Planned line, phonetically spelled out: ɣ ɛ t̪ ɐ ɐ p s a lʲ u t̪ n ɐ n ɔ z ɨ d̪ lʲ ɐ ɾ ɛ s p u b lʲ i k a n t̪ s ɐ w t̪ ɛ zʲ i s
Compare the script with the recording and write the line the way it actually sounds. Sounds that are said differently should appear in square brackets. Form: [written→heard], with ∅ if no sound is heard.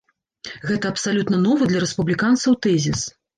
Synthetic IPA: ɣ ɛ t̪ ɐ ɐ p s a lʲ u t̪ n ɐ n ɔ [z→v] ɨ d̪ lʲ ɐ ɾ ɛ s p u b lʲ i k a n t̪ s ɐ w t̪ ɛ zʲ i s